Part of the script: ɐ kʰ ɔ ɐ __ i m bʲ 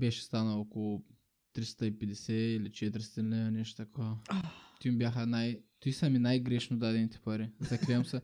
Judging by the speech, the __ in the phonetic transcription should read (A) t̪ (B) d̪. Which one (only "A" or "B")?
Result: A